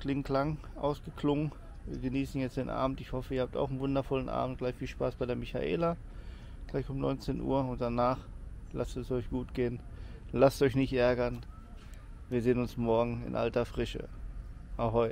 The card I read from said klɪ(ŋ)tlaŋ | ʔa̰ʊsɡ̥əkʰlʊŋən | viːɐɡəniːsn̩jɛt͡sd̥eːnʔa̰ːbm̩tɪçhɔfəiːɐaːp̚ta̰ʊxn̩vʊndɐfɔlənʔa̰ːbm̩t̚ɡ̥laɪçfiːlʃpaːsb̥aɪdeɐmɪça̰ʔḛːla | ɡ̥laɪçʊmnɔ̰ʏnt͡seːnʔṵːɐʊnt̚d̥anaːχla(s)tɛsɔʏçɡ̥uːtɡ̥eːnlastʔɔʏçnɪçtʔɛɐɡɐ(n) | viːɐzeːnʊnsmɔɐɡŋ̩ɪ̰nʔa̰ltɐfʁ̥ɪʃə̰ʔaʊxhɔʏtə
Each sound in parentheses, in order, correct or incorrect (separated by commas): correct, correct, correct